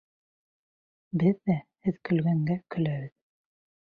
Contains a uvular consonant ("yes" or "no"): no